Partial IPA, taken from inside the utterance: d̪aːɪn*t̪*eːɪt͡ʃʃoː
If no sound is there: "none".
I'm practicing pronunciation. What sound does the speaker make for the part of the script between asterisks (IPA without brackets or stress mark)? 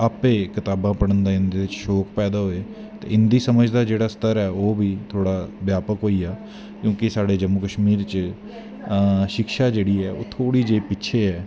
d̪